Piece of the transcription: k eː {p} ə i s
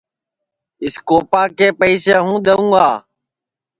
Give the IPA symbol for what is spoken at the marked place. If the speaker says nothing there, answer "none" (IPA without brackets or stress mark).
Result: p